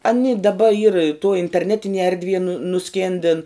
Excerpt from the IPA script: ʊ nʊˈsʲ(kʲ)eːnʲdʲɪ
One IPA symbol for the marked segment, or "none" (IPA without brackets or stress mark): kʲ